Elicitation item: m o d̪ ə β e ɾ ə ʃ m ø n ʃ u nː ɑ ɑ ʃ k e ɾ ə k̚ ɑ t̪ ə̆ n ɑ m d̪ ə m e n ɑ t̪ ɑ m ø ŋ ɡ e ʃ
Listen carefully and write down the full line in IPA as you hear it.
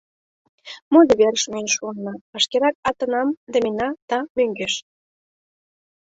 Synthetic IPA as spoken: m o d̪ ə β e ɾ ə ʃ m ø n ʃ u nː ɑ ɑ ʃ k e ɾ ɑ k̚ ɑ t̪ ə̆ n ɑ m d̪ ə m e n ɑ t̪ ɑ m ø ŋ ɡ e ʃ